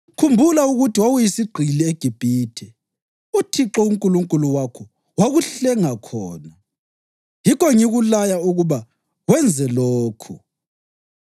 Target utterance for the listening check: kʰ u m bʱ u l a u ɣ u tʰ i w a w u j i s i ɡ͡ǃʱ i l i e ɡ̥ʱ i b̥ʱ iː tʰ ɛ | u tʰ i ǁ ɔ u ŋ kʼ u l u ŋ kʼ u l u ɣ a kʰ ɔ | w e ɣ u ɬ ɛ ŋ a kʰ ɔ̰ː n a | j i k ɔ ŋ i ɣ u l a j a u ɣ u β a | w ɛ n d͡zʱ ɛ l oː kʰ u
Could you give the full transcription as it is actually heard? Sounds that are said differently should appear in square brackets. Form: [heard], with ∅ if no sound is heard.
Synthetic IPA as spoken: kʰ u m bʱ u l a u ɣ u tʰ i w a w u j i s i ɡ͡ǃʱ i l i e ɡ̥ʱ i b̥ʱ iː tʰ ɛ | u tʰ i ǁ ɔ u ŋ kʼ u l u ŋ kʼ u l u [w] a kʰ ɔ | w [a] ɣ u ɬ ɛ ŋ a kʰ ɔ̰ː n a | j i k ɔ ŋ i ɣ u l a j a u ɣ u β a | w ɛ n d͡zʱ ɛ l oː kʰ u